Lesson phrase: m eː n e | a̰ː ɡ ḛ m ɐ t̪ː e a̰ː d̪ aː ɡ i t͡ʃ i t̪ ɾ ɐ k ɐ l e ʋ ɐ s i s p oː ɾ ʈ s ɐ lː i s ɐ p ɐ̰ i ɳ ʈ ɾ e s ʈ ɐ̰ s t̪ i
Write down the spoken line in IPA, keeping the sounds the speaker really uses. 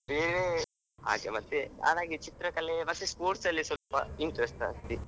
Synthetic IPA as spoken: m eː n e | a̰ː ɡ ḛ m ɐ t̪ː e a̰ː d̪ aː ɡ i t͡ʃ i t̪ ɾ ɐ k ɐ l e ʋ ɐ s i s p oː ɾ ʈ s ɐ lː i s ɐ p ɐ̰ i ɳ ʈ ɾ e s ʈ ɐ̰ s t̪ i